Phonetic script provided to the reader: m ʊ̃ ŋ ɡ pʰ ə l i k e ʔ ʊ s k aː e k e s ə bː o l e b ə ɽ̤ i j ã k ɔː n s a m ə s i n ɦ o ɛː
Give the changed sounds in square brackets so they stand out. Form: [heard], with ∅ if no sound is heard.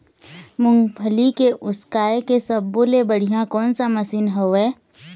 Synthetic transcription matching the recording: m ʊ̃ ŋ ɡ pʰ ə l i k e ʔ ʊ s k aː e k e s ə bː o l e b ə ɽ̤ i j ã k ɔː n s a m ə s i n ɦ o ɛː

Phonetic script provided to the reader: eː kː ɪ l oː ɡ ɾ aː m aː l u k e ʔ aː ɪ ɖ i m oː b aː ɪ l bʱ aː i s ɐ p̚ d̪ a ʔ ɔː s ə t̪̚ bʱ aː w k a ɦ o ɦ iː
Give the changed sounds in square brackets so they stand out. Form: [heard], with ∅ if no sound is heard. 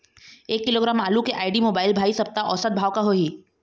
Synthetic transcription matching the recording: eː kː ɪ l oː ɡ ɾ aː m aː l u k e ʔ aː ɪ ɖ i m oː b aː ɪ l bʱ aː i s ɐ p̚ [t̪] a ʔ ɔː s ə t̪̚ bʱ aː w k a ɦ o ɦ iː

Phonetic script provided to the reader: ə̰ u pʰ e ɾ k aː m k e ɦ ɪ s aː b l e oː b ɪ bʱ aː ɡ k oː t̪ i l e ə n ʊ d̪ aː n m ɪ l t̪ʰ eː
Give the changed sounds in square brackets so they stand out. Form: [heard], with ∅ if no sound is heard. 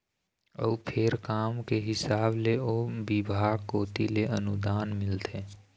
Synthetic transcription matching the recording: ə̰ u pʰ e ɾ k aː m k e ɦ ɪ s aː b l e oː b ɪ bʱ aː ɡ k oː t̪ i l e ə n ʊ d̪ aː n m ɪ l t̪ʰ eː

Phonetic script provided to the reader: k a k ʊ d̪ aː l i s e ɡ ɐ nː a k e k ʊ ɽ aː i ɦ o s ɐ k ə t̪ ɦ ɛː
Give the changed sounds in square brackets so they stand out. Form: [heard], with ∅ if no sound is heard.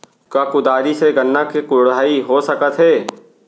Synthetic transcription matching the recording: k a k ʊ d̪ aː [ɾ] i s e ɡ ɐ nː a k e k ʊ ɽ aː i ɦ o s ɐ k ə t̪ ɦ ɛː

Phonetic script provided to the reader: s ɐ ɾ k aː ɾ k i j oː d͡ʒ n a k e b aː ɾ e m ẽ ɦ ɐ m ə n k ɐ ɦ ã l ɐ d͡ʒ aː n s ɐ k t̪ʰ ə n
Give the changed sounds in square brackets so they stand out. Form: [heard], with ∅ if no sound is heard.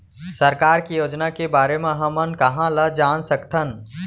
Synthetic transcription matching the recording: s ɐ ɾ k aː ɾ k i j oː d͡ʒ n a k e b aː ɾ e m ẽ ɦ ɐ m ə n k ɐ ɦ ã l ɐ d͡ʒ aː n s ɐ k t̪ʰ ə n

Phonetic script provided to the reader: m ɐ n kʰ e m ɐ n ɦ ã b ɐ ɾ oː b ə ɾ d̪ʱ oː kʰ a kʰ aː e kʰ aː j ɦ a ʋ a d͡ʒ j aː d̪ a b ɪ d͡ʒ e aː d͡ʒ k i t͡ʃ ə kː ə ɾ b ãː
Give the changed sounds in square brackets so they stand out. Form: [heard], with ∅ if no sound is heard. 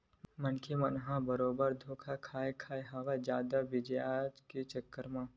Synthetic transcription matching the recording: m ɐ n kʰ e m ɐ n ɦ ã b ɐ ɾ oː b ə ɾ d̪ʱ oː kʰ a kʰ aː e kʰ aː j ɦ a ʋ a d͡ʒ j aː d̪ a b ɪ d͡ʒ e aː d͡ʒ k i t͡ʃ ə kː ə ɾ [m] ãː

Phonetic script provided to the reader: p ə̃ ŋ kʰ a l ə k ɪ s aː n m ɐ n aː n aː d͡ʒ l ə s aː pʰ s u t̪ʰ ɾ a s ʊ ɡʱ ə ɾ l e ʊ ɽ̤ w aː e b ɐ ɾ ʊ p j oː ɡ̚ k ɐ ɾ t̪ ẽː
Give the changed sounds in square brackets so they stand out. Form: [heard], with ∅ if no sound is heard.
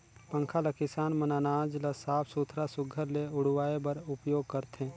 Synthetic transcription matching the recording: p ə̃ ŋ kʰ a l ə k ɪ s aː n m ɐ n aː n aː d͡ʒ l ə s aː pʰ s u t̪ʰ ɾ a s ʊ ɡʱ ə ɾ l e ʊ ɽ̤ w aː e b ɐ ɾ ʊ p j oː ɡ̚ k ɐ ɾ t̪ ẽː

